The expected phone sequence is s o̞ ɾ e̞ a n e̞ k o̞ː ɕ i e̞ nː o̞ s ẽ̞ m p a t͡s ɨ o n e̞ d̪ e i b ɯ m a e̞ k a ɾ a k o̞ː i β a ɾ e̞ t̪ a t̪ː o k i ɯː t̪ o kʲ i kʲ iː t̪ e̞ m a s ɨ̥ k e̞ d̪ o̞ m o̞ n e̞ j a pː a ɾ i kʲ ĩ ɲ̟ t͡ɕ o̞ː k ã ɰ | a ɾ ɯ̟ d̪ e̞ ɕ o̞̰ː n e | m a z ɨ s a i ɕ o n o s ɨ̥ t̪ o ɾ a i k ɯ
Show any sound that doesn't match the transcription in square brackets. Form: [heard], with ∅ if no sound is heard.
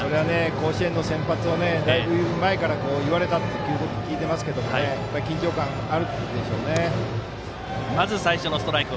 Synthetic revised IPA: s o̞ ɾ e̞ a n e̞ k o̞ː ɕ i e̞ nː o̞ s ẽ̞ m p a t͡s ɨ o n e̞ d̪ [a] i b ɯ m a e̞ k a ɾ a k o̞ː i β a ɾ e̞ t̪ a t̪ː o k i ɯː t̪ o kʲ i kʲ iː t̪ e̞ m a s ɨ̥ k e̞ d̪ o̞ m o̞ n e̞ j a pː a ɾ i kʲ ĩ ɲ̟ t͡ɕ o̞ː k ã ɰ | a ɾ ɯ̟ d̪ e̞ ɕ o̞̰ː n e | m a z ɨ s a i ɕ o n o s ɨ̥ t̪ o ɾ a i k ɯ

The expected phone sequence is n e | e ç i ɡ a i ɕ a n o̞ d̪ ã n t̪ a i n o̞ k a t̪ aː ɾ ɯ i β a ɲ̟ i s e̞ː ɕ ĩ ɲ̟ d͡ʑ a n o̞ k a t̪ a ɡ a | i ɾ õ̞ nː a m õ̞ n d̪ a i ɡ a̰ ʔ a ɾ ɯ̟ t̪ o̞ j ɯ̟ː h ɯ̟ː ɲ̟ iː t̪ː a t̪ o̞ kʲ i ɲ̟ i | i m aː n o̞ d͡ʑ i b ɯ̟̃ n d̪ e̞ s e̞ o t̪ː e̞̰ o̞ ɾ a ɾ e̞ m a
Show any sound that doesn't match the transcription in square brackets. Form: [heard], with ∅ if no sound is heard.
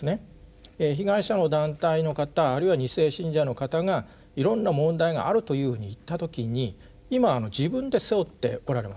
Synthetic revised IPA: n e | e ç i ɡ a i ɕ a n o̞ d̪ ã n t̪ a i n o̞ k a t̪ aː ɾ ɯ i β a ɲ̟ i s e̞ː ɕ ĩ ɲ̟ d͡ʑ a n o̞ k a t̪ a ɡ a | i ɾ õ̞ nː a m õ̞ n d̪ a i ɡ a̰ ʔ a ɾ ɯ̟ t̪ o̞ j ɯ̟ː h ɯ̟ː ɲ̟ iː t̪ː a t̪ o̞ kʲ i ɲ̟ i | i m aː n o̞ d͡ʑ i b ɯ̟̃ n d̪ e̞ s e̞ o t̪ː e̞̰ o̞ ɾ a ɾ e̞ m a

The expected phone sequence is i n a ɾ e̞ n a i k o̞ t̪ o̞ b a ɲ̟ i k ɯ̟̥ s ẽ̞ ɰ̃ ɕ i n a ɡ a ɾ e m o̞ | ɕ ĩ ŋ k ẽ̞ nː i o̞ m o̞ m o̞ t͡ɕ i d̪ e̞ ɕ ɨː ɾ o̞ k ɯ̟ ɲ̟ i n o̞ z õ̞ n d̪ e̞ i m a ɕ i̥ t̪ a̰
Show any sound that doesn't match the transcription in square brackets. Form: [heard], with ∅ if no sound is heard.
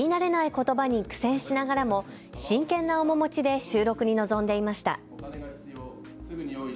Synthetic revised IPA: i n a ɾ e̞ n a i k o̞ t̪ o̞ b a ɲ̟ i k ɯ̟̥ s ẽ̞ ɰ̃ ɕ i n a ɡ a ɾ [a] m o̞ | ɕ ĩ ŋ k ẽ̞ nː [a] o̞ m o̞ m o̞ t͡ɕ i d̪ e̞ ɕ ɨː ɾ o̞ k ɯ̟ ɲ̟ i n o̞ z õ̞ n d̪ e̞ i m a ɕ i̥ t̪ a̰

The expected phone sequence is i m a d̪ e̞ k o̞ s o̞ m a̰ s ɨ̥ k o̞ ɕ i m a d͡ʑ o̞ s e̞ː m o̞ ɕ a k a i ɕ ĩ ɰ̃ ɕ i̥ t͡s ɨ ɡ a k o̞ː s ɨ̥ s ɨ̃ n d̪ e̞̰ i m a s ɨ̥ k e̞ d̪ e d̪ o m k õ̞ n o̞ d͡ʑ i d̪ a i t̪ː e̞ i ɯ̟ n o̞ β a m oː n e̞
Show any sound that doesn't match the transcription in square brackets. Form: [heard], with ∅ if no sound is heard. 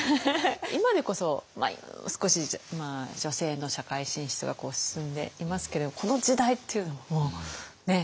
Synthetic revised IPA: i m a d̪ e̞ k o̞ s o̞ m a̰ s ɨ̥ k o̞ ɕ i m a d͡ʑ o̞ s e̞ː [n] o̞ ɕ a k a i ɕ ĩ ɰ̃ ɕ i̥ t͡s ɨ ɡ a k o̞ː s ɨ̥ s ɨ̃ n d̪ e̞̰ i m a s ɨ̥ k e̞ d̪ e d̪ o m k [o̞] n o̞ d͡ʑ i d̪ a i t̪ː e̞ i ɯ̟ n o̞ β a m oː n e̞

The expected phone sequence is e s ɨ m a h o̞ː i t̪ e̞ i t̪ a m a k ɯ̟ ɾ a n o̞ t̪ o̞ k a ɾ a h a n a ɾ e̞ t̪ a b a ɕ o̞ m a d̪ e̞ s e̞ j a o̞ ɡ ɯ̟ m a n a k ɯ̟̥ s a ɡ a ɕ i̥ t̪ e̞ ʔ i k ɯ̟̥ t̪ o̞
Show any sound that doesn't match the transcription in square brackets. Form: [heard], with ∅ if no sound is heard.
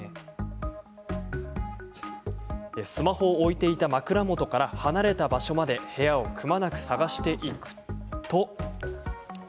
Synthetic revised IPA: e s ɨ m a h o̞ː i t̪ e̞ i t̪ a m a k ɯ̟ ɾ a [m] o̞ t̪ o̞ k a ɾ a h a n a ɾ e̞ t̪ a b a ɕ o̞ m a d̪ e̞ [h] e̞ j a o̞ [k] ɯ̟ m a n a k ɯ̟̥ s a ɡ a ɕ i̥ t̪ e̞ ʔ i k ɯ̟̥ t̪ o̞

